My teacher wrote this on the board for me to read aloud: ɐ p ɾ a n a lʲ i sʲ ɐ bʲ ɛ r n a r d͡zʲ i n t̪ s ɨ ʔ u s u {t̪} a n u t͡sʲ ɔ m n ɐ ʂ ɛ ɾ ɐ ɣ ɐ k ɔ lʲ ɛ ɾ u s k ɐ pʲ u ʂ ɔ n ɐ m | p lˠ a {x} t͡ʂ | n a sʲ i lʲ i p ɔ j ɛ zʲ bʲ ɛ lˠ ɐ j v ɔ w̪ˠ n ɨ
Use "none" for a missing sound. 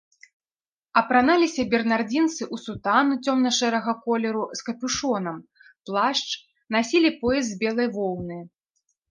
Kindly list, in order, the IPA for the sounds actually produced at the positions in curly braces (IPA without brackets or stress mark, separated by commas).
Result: t̪, ʂ